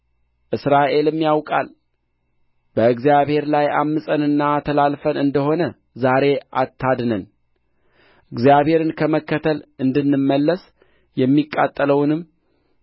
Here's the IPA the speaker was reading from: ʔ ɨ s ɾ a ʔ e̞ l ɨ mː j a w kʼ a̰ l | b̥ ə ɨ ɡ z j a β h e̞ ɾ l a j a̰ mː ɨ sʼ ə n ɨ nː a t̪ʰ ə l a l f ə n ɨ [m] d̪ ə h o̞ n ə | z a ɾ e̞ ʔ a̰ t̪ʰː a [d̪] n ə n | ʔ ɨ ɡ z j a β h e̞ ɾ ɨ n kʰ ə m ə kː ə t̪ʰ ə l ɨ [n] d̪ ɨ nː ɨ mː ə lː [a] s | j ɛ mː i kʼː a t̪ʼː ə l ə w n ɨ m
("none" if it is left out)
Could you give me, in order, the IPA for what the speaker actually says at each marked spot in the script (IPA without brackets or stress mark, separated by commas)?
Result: n, d̪, n, ə